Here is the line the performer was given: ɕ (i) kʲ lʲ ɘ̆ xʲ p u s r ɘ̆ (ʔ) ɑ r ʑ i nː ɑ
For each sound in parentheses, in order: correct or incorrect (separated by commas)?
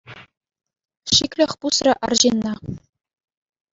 correct, correct